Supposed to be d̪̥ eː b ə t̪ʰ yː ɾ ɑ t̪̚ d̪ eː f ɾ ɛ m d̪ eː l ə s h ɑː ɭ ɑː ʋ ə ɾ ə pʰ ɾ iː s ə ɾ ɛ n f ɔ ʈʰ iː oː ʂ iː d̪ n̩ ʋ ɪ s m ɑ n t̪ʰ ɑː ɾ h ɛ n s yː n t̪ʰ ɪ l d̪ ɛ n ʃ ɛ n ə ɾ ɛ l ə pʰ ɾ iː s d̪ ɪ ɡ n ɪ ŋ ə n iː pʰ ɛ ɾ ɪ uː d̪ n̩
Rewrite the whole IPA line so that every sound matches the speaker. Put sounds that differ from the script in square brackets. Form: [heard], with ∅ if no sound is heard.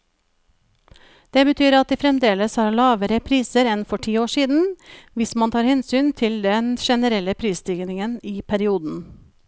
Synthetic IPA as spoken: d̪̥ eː b ə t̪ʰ yː ɾ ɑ t̪̚ d̪ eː f ɾ ɛ m d̪ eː l ə s h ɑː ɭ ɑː ʋ ə ɾ ə pʰ ɾ iː s ə ɾ ɛ n f ɔ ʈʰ iː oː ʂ iː d̪ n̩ ʋ ɪ s m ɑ n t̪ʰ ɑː ɾ h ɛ n s yː n t̪ʰ ɪ l d̪ ɛ n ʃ ɛ n ə ɾ ɛ l ə pʰ ɾ iː s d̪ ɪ ɡ n ɪ ŋ ə n iː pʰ [æ] ɾ ɪ uː d̪ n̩

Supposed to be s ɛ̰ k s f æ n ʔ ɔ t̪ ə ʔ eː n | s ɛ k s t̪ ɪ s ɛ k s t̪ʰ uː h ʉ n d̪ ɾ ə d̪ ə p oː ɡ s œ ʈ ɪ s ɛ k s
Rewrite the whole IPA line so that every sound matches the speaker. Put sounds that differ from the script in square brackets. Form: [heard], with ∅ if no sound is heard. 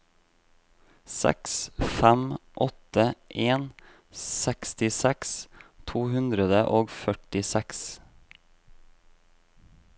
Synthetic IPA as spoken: s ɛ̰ k s f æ [m] ʔ ɔ t̪ ə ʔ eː n | s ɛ k s t̪ ɪ s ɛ k s t̪ʰ uː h ʉ n d̪ ɾ ə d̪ ə [ʔ] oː ɡ [f] œ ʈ ɪ s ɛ k s

